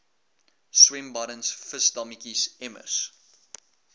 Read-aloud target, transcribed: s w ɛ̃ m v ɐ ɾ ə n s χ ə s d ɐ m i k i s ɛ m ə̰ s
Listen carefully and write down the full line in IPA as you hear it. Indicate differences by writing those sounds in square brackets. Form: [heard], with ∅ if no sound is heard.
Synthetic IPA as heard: s w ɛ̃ m [b] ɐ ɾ ə n s [f] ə s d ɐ m i k i s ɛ m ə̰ s